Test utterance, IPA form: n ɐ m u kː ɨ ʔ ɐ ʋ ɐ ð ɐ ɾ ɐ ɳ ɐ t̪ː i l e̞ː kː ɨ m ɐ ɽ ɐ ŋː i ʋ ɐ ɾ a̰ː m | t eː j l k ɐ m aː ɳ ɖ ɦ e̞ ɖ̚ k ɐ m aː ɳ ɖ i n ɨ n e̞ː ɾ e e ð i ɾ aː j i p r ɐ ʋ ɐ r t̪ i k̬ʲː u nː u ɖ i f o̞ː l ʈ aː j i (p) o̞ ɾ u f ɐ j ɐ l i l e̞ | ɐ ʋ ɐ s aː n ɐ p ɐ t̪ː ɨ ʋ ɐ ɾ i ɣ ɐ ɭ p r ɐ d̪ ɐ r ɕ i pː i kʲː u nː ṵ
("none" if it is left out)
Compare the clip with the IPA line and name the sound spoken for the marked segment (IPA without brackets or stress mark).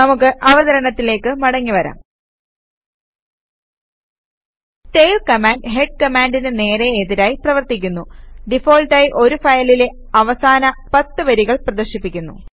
ʔ